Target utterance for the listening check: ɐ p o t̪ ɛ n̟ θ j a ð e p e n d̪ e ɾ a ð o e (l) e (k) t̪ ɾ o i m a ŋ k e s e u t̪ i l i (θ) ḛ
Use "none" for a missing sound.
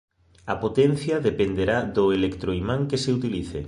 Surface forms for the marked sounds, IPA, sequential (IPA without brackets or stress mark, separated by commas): l, k, θ